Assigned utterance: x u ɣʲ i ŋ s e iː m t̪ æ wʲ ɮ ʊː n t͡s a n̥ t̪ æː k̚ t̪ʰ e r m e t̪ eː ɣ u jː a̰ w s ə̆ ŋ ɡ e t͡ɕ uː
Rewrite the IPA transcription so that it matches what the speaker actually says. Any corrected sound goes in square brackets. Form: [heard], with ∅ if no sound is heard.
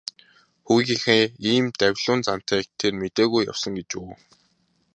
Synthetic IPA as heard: x u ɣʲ i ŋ [x] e iː m t̪ æ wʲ ɮ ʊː n t͡s a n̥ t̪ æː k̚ t̪ʰ e r m e t̪ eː ɣ u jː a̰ w s ə̆ ŋ ɡ e t͡ɕ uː